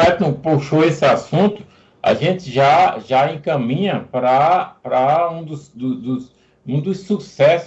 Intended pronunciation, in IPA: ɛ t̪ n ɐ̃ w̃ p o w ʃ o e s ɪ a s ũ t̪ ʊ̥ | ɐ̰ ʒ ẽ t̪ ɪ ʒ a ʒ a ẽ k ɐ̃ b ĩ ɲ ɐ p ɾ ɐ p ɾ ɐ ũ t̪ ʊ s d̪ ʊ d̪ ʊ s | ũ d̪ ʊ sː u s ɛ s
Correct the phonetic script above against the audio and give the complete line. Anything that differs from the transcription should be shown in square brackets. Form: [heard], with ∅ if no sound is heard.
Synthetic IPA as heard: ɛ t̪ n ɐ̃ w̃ p o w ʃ o e s ɪ a s ũ t̪ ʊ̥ | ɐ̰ ʒ ẽ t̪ ɪ ʒ a ʒ a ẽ k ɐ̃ [m] ĩ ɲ ɐ p ɾ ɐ p ɾ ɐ ũ [d̪] ʊ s d̪ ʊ d̪ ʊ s | ũ d̪ ʊ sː u s ɛ s